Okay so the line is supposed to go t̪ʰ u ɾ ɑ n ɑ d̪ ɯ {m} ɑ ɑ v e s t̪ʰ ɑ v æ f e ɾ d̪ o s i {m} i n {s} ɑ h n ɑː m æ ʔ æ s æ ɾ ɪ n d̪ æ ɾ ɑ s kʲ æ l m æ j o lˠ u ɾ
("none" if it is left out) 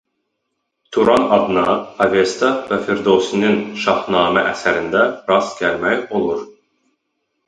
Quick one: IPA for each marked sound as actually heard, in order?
n, n, ʃ

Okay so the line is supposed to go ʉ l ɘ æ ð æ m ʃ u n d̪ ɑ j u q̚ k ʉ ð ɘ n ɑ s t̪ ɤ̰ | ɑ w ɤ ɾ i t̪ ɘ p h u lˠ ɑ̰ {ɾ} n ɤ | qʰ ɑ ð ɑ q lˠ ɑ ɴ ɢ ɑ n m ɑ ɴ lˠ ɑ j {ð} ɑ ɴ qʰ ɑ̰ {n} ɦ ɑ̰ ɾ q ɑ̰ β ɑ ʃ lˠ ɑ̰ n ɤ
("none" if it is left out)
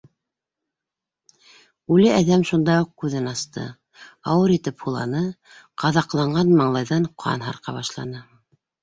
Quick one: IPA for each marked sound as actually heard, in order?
none, ð, n

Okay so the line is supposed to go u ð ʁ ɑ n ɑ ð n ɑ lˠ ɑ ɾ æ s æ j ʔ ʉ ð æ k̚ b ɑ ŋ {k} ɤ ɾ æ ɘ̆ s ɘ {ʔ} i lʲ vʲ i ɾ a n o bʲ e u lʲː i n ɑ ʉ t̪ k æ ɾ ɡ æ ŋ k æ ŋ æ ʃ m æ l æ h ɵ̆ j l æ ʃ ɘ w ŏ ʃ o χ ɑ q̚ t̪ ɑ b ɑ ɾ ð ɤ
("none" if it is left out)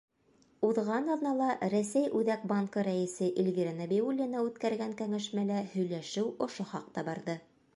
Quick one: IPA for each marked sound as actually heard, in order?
k, ʔ

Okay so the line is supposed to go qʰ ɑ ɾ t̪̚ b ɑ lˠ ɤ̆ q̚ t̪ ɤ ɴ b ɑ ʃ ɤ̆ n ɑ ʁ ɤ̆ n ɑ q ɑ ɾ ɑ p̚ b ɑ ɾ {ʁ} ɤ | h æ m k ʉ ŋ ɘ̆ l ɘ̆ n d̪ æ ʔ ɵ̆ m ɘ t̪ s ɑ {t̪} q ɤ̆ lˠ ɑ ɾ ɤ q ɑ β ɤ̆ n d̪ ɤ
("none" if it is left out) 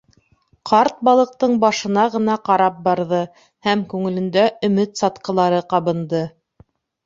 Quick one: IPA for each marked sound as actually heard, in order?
ð, t̪

